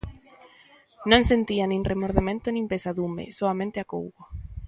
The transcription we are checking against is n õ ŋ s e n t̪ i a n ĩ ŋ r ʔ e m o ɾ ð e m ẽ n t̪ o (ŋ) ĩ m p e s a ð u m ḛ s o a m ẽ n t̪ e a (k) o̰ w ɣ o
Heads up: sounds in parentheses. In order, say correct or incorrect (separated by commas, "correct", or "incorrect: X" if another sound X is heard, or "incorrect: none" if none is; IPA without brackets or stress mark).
incorrect: n, correct